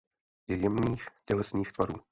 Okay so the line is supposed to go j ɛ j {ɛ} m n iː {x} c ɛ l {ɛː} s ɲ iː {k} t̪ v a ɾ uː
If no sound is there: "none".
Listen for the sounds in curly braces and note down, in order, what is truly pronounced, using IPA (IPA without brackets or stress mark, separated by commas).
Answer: ɛ, x, ɛ, x